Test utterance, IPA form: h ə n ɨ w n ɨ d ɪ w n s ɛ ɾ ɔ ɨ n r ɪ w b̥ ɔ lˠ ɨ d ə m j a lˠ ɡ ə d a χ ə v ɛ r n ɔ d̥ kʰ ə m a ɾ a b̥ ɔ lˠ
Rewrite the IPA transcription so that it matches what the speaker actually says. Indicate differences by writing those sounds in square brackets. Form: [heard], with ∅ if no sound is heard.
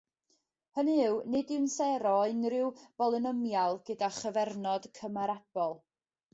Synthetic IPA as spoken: h ə n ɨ w n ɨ d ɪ w n s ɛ ɾ ɔ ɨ n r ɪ w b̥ ɔ lˠ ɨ [n] ə m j a lˠ ɡ ə d a χ ə v ɛ r n ɔ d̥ kʰ ə m a ɾ a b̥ ɔ lˠ